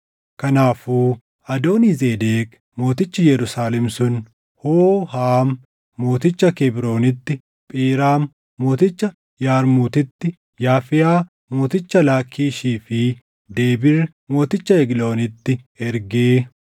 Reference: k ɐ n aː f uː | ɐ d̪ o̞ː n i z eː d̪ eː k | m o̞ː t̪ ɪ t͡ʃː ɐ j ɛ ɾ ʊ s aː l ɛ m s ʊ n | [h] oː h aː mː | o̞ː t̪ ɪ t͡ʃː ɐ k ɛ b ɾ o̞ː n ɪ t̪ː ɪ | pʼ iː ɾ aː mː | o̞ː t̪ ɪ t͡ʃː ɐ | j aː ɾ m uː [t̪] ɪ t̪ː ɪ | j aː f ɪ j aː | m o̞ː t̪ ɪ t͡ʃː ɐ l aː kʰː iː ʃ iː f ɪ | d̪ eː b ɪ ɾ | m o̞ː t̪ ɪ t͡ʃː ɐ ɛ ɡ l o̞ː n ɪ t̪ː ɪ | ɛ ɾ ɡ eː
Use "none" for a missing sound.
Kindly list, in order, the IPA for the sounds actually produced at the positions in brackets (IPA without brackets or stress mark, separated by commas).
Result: h, t̪